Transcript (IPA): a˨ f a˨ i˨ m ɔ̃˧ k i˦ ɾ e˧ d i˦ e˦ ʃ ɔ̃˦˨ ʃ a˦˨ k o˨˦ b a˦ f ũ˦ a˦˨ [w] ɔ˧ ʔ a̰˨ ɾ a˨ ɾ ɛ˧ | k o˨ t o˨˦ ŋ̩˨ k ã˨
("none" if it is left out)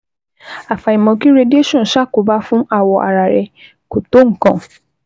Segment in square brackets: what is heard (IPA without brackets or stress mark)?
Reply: w